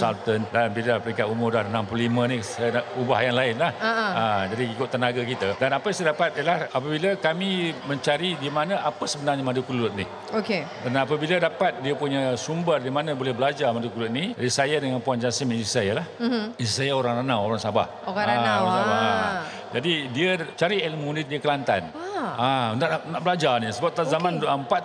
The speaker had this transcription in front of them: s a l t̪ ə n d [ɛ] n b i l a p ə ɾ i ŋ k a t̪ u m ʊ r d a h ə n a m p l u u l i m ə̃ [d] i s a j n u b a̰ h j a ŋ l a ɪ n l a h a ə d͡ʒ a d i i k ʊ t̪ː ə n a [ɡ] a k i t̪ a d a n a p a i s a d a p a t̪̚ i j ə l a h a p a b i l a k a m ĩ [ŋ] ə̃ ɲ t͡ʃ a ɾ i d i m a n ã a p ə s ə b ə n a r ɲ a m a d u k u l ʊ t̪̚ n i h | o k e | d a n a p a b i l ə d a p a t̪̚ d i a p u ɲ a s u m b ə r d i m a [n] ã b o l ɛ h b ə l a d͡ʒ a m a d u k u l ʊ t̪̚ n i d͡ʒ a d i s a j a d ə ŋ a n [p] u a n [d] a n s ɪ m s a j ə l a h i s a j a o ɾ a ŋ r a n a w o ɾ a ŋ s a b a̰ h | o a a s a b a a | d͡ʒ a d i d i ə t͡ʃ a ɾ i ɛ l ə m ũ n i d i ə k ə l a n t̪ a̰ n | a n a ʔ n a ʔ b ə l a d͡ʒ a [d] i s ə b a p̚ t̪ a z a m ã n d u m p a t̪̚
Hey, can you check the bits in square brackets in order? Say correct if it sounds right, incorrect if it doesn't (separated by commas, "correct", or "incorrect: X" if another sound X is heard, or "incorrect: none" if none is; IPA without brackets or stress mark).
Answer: incorrect: a, incorrect: n, correct, incorrect: m, correct, correct, incorrect: d͡ʒ, incorrect: n